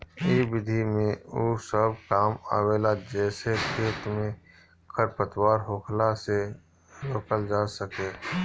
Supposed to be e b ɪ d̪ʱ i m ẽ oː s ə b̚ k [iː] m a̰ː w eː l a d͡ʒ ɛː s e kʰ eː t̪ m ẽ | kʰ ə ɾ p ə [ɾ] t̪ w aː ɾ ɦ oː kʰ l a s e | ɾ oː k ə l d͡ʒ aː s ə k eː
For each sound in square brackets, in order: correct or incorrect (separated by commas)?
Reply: incorrect, incorrect